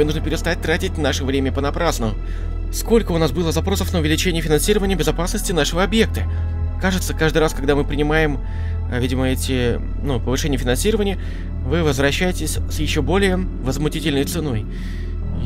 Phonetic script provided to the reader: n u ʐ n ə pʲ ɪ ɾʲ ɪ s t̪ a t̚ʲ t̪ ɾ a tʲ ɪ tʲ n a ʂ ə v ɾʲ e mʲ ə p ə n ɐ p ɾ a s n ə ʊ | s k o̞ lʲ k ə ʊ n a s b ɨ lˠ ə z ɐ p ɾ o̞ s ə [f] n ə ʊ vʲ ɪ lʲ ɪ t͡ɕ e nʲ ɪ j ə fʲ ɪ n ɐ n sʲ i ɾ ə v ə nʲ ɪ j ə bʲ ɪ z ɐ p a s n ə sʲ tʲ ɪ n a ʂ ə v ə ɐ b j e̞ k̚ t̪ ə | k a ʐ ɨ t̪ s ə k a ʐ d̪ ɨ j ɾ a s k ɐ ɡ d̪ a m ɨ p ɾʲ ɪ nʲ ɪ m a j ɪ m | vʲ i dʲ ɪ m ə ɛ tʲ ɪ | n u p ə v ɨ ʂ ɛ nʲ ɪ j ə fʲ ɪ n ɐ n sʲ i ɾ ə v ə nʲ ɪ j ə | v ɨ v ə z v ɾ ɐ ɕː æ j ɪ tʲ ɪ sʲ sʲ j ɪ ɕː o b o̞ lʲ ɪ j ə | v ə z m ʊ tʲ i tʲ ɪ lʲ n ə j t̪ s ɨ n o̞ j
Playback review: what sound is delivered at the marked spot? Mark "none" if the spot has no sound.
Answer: f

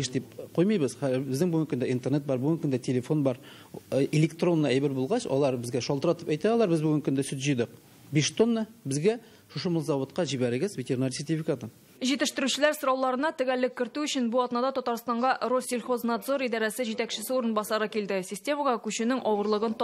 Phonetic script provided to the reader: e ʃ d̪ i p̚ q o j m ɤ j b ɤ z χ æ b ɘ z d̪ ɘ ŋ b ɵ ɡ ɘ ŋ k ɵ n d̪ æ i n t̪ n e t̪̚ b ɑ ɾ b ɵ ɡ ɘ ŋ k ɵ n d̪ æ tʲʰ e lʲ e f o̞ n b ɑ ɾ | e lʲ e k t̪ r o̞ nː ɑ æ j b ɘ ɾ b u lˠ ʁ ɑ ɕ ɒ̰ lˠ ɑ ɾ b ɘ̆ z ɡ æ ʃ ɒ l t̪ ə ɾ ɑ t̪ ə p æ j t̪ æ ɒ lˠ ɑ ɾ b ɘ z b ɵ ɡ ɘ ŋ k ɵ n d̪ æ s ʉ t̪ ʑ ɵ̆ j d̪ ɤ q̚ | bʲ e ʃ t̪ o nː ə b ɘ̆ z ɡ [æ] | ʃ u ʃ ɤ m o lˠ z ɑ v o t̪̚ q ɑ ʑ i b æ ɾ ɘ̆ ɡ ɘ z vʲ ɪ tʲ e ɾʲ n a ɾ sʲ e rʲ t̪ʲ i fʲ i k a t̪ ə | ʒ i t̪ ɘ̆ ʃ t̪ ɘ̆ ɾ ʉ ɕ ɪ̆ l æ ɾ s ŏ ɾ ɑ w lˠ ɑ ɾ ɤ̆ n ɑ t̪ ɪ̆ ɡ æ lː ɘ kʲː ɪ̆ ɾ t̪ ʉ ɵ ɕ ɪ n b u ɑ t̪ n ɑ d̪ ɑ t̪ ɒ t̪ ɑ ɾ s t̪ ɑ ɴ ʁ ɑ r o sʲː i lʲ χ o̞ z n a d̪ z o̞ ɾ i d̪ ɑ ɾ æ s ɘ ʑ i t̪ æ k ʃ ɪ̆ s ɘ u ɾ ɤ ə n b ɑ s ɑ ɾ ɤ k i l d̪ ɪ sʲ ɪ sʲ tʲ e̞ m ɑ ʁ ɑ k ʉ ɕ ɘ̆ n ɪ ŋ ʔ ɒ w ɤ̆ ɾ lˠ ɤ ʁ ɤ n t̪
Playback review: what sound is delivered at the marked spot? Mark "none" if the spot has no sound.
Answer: æ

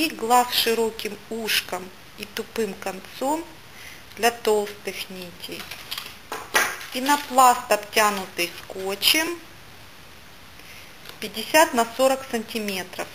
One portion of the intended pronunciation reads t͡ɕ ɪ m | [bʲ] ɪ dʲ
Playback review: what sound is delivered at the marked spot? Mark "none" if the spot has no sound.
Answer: pʲ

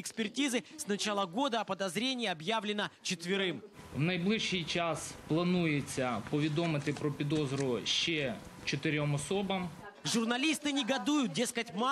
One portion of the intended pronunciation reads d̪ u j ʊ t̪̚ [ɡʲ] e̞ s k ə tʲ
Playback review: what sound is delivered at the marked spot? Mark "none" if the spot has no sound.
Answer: dʲ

